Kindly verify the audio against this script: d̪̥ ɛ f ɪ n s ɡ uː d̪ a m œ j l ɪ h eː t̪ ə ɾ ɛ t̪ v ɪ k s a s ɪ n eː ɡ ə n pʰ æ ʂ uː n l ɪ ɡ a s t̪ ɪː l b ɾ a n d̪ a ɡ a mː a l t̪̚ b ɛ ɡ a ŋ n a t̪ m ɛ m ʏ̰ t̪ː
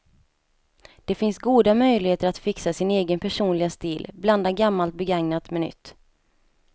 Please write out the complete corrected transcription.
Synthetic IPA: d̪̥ ɛ f ɪ n s ɡ uː d̪ a m œ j l ɪ h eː t̪ ə ɾ a t̪ f ɪ k s a s ɪ n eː ɡ ə n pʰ æ ʂ uː n l ɪ ɡ a s t̪ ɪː l b l a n d̪ a ɡ a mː a l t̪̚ b ɛ ɡ a ŋ n a t̪ m ɛ n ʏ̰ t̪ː